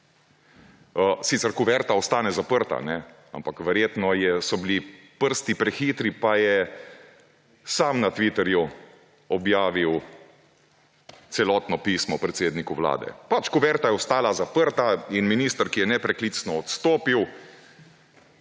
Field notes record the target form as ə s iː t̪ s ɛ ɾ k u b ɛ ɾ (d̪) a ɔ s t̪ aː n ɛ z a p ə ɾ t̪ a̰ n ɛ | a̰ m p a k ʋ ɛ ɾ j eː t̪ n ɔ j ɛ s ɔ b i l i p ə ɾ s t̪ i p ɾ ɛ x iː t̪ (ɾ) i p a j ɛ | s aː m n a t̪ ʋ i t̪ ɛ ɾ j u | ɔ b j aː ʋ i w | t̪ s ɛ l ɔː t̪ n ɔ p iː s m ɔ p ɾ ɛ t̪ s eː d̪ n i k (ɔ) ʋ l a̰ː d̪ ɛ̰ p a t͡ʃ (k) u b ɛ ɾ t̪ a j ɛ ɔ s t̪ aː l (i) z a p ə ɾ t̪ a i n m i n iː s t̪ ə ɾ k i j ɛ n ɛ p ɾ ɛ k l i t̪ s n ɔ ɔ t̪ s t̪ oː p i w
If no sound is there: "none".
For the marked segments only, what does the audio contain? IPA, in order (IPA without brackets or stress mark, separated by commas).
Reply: t̪, ɾ, u, k, a